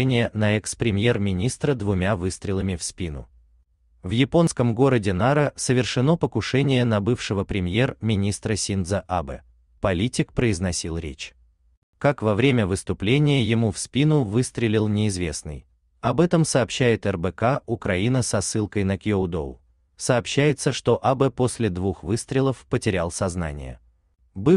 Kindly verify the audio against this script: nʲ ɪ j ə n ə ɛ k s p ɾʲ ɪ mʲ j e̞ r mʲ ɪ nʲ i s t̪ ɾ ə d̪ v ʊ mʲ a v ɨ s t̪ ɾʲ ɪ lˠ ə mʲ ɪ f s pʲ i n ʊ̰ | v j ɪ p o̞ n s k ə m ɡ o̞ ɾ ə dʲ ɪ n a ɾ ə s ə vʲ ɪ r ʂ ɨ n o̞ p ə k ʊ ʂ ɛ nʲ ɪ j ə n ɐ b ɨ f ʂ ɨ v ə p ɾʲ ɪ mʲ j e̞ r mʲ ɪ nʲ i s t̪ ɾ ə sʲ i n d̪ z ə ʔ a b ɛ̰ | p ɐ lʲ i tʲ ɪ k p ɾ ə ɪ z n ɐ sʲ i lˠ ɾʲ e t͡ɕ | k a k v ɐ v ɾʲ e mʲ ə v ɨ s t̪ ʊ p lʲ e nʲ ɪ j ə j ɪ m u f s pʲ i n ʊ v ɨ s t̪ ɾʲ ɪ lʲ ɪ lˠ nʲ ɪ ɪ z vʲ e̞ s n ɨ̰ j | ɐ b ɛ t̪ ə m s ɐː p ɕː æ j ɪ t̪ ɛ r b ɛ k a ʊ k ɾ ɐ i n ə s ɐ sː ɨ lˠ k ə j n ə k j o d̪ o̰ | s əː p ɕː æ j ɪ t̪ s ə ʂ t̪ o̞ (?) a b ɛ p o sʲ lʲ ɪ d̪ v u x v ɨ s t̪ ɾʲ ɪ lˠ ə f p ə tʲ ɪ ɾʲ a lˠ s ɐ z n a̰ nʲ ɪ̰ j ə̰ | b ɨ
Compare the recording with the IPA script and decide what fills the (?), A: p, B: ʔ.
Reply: B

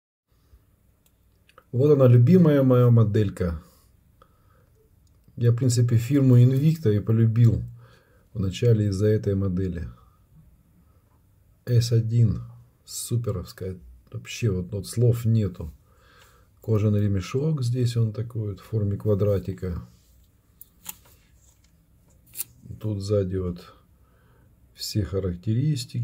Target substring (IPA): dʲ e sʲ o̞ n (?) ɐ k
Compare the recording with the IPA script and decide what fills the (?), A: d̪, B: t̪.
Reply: B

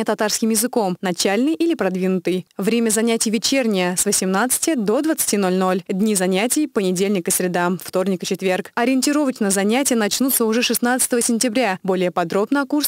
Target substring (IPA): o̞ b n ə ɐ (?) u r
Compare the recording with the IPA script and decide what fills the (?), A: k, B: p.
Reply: A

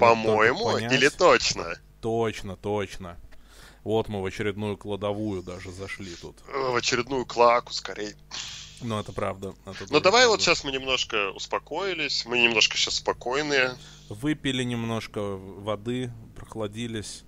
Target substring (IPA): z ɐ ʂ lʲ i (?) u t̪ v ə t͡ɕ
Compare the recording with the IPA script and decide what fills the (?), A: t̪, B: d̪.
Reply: A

